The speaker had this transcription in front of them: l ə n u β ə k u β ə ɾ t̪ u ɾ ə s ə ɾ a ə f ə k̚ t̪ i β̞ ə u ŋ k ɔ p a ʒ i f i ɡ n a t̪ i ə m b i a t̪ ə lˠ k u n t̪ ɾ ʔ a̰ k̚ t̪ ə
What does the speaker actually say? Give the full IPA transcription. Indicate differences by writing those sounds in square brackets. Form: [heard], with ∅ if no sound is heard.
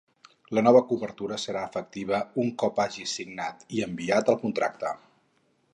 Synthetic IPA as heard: l ə n [ɔ] β ə k u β ə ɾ t̪ u ɾ ə s ə ɾ a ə f ə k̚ t̪ i β̞ ə u ŋ k ɔ p a ʒ i [s] i ɡ n a t̪ i ə m b i a t̪ ə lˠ k u n t̪ ɾ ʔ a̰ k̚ t̪ ə